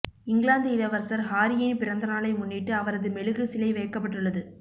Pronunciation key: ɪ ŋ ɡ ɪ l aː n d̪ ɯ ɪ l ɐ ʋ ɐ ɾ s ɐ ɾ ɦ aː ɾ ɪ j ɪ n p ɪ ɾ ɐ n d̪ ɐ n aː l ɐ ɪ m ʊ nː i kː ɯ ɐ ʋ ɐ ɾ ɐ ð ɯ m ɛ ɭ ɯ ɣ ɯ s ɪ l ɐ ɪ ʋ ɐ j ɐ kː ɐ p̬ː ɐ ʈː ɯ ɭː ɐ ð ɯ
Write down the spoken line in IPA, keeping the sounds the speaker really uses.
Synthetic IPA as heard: ɪ ŋ ɡ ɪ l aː n d̪ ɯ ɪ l ɐ ʋ ɐ ɾ s ɐ ɾ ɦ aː ɾ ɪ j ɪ n p ɪ ɾ ɐ n d̪ ɐ n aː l ɐ ɪ m ʊ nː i ʈː ɯ ɐ ʋ ɐ ɾ ɐ ð ɯ m ɛ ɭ ɯ ɣ ɯ s ɪ l ɐ ɪ ʋ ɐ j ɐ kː ɐ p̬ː ɐ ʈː ɯ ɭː ɐ ð ɯ